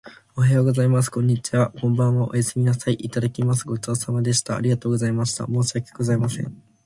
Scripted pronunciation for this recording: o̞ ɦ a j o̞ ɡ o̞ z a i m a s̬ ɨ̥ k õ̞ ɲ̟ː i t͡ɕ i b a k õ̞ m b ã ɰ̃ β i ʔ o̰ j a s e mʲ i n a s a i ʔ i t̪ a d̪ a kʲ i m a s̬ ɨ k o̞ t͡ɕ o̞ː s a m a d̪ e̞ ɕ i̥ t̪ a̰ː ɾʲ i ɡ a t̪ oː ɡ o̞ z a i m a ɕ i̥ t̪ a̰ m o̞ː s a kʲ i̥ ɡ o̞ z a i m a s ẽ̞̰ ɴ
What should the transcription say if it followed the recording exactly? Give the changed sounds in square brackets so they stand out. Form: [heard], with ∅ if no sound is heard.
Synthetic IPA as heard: o̞ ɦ a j o̞ ɡ o̞ z a i m a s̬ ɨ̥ k õ̞ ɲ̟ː i t͡ɕ i [β] a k õ̞ m b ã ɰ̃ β [a] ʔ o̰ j a s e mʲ i n a s a i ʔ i t̪ a d̪ a kʲ i m a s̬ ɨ [ɡ] o̞ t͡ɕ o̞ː s a m a d̪ e̞ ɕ i̥ t̪ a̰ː ɾʲ i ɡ a t̪ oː ɡ o̞ z a i m a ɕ i̥ t̪ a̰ m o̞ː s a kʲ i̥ ɡ o̞ z a i m a s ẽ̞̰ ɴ